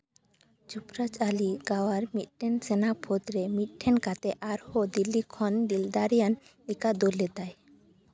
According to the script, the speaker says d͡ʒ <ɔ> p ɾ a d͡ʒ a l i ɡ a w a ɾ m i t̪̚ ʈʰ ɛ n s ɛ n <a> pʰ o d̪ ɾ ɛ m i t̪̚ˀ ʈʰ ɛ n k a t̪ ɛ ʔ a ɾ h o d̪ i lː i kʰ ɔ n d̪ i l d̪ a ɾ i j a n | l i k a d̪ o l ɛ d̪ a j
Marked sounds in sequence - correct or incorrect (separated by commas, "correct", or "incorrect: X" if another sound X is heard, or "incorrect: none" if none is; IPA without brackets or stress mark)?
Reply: incorrect: u, correct